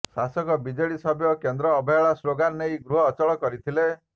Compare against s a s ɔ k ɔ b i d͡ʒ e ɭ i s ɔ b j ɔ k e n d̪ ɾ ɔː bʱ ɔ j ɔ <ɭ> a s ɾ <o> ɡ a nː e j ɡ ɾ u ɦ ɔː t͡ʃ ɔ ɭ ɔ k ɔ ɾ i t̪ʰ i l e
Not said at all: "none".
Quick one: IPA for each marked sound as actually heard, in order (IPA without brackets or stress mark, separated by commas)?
ɭ, o